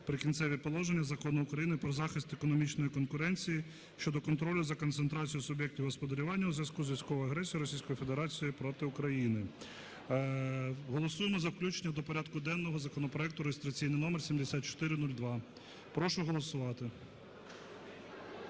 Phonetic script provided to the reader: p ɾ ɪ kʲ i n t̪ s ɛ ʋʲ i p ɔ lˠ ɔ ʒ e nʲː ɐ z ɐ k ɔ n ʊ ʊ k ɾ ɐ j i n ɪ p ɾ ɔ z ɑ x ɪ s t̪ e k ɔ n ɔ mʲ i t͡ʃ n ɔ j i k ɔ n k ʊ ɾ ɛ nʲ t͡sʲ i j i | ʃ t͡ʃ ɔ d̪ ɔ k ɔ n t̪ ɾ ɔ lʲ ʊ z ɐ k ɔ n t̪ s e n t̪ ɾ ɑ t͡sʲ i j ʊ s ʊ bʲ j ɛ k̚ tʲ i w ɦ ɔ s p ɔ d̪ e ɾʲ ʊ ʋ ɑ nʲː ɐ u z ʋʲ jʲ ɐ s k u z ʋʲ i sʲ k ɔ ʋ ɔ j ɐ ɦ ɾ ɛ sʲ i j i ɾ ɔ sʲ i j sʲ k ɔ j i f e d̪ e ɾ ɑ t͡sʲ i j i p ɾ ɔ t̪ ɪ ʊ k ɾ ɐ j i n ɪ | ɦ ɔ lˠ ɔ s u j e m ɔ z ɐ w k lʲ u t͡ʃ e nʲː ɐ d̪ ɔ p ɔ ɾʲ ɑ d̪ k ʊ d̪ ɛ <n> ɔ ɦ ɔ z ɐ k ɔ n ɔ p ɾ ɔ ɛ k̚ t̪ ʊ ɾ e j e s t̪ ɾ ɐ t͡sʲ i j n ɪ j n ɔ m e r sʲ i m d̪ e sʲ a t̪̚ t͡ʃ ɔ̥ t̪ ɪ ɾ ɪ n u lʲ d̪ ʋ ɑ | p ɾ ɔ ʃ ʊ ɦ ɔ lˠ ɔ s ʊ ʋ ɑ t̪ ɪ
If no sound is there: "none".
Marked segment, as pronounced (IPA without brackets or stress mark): nː